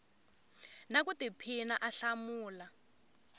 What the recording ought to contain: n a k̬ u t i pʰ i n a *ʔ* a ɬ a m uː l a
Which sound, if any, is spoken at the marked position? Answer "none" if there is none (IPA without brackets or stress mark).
ʔ